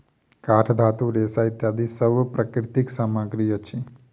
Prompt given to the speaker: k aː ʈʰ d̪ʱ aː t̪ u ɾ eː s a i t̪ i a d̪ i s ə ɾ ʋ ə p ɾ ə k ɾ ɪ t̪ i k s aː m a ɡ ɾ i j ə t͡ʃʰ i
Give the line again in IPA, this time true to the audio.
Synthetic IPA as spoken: k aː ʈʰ d̪ʱ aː t̪ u ɾ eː s a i t̪ j a d̪ i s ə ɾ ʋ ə p ɾ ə k ɾ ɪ t̪ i k s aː m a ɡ ɾ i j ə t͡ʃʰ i